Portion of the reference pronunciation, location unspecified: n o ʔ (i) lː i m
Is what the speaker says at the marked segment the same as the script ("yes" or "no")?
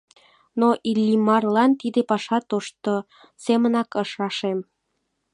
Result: yes